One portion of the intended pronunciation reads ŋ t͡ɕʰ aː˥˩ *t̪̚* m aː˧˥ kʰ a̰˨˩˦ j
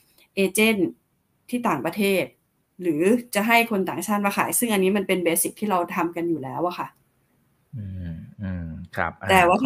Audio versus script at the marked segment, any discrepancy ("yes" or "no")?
no